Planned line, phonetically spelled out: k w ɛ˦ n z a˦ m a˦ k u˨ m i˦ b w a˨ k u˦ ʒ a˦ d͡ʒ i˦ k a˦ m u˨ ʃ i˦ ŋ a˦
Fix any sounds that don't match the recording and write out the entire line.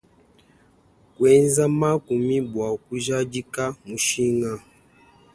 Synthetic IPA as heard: k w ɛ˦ n z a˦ m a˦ k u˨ m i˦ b w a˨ k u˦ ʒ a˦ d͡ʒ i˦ k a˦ m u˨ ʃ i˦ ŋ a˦